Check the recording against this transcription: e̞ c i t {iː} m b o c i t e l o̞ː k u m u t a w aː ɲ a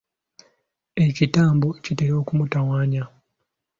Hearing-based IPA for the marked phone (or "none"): aː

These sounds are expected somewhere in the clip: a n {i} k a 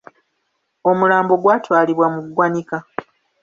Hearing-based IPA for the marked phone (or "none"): i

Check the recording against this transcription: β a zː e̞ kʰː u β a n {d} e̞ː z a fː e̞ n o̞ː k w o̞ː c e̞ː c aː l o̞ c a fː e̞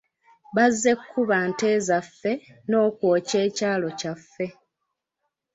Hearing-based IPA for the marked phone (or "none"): t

